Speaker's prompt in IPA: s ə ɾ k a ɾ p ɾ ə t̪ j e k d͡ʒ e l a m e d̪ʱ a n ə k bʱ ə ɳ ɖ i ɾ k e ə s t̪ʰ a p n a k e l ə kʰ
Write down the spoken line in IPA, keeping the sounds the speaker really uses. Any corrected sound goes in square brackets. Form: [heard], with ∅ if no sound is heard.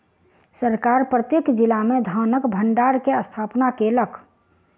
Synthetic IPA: s ə ɾ k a ɾ p ɾ ə t̪ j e k d͡ʒ [i] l a m e d̪ʱ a n ə k bʱ ə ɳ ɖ [a] ɾ k e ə s t̪ʰ a p n a k e l ə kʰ